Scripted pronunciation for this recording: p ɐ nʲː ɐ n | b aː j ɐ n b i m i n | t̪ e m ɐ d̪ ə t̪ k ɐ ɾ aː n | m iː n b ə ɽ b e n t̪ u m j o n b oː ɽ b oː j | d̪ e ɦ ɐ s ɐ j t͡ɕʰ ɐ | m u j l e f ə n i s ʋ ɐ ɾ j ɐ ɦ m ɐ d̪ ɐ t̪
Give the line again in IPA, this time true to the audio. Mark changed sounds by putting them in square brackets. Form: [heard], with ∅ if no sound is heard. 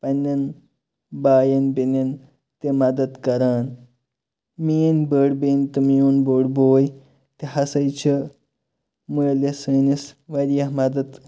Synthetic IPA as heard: p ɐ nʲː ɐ n | b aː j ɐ n b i [n] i n | t̪ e m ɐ d̪ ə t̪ k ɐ ɾ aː n | m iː n b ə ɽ b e n t̪ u m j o n b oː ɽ b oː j | [t̪] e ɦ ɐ s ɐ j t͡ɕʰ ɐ | m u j l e [s] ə n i s ʋ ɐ ɾ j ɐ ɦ m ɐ d̪ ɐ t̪